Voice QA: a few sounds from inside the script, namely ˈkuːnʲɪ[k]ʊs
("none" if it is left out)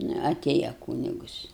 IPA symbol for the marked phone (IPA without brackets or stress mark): ɡ